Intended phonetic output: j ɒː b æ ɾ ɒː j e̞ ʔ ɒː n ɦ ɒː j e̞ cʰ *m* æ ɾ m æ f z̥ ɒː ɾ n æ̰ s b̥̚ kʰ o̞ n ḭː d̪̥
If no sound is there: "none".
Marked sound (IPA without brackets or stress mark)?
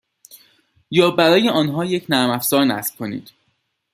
n